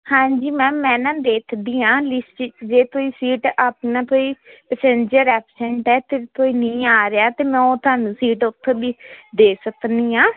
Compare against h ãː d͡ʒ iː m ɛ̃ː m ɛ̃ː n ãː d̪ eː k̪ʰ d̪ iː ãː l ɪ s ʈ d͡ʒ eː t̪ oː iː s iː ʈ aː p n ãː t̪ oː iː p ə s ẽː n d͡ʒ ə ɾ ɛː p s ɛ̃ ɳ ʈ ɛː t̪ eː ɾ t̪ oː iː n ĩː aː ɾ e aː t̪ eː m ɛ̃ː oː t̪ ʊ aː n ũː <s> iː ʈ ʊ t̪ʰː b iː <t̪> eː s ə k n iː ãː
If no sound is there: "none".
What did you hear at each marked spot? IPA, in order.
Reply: s, d̪

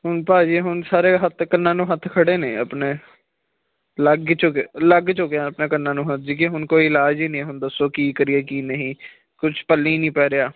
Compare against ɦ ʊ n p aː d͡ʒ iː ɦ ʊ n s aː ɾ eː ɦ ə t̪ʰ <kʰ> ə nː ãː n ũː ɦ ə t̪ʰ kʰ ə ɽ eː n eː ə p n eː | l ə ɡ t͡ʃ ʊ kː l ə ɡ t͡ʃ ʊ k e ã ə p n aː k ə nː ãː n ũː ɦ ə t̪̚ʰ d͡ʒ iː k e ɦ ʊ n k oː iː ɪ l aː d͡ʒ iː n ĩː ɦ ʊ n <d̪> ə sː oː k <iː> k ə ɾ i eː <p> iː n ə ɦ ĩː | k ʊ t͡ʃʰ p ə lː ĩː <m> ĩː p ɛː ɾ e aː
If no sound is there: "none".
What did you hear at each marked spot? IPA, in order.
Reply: k, d̪, iː, k, n

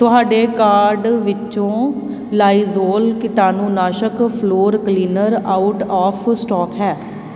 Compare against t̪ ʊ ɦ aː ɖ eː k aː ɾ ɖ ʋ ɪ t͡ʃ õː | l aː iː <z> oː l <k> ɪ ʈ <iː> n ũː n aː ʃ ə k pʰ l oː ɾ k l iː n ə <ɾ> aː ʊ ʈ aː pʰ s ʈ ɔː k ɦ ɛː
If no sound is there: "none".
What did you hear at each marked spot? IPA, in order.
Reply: z, k, aː, ɾ

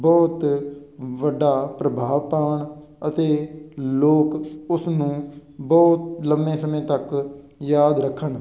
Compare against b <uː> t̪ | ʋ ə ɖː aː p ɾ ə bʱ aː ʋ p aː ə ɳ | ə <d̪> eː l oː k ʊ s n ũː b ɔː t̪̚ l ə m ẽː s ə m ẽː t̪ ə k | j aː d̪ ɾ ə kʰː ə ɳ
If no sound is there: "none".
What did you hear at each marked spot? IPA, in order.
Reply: ɔː, t̪

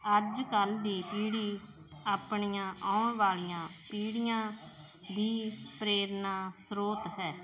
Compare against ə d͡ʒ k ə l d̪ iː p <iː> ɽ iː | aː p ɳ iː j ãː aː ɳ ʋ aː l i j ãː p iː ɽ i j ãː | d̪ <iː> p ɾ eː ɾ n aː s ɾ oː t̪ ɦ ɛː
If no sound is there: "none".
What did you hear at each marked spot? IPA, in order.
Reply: iː, iː

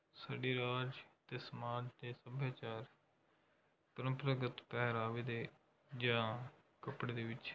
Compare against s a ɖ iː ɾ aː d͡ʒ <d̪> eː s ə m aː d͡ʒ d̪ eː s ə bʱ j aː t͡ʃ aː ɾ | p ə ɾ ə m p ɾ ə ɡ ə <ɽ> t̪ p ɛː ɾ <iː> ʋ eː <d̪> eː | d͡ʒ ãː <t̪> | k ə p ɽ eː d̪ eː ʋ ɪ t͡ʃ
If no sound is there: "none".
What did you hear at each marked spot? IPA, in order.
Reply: t̪, none, aː, d̪, none

